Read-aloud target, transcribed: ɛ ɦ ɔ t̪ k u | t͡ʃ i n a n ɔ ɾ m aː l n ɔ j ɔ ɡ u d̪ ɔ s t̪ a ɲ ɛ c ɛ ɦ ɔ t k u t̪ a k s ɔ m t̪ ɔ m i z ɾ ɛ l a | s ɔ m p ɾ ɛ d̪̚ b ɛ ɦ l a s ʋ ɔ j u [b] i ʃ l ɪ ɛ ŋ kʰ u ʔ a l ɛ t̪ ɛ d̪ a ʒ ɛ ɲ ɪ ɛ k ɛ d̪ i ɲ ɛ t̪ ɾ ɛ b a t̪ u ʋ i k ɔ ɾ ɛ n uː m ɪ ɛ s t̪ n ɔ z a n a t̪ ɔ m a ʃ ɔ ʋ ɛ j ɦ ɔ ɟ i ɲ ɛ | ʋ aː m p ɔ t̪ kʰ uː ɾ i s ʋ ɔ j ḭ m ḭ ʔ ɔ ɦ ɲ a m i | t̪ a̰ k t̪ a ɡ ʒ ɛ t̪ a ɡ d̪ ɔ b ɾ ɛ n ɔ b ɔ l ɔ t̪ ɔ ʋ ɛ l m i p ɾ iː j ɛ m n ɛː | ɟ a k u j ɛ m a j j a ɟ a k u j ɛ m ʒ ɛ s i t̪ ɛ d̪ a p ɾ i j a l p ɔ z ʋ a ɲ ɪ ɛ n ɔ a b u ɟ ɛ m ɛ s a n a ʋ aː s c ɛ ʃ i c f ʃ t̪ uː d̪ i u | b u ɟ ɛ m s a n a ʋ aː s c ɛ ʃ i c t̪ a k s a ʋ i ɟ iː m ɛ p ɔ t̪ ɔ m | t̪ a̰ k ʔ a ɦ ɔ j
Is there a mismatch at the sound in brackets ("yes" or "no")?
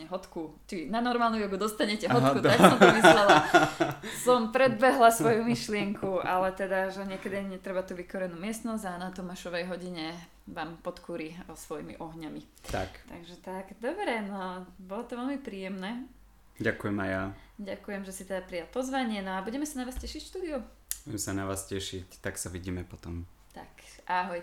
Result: yes